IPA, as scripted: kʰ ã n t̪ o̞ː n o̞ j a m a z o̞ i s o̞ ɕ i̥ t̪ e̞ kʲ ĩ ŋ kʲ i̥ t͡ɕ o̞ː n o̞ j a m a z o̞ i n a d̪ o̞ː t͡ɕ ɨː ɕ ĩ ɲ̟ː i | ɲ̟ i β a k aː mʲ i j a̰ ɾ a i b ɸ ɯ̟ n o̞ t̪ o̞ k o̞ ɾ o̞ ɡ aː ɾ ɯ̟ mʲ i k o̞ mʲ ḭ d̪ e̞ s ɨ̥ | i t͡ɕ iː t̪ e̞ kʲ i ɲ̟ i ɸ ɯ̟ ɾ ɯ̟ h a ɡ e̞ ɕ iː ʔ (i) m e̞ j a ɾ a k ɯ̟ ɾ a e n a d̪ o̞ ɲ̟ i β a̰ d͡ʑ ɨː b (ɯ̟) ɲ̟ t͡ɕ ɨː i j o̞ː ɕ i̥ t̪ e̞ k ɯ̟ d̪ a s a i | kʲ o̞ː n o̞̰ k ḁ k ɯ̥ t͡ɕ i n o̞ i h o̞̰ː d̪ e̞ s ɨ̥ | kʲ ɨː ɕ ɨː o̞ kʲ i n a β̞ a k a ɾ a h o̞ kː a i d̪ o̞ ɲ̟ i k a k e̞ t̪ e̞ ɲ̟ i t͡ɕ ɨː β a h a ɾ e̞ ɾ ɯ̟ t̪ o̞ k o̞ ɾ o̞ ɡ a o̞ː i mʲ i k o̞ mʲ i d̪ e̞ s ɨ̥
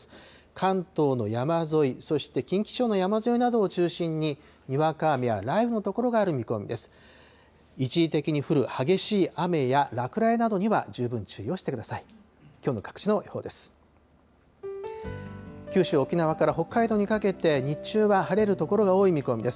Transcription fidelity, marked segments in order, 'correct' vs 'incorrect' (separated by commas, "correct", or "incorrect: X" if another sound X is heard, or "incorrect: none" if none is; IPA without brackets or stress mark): incorrect: a, incorrect: ɯ̟̃